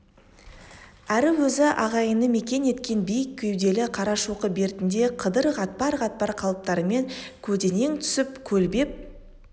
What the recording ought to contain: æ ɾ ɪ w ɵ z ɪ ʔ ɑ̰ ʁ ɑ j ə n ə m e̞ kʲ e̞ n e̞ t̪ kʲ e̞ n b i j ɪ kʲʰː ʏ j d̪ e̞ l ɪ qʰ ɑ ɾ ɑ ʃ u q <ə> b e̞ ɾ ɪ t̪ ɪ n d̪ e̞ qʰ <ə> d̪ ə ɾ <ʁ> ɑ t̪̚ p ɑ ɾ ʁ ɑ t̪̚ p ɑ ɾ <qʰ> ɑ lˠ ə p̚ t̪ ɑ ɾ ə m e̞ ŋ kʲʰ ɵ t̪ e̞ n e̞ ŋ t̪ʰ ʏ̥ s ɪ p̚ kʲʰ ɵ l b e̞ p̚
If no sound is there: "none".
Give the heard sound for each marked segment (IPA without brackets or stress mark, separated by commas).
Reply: ə, ə, ʁ, qʰ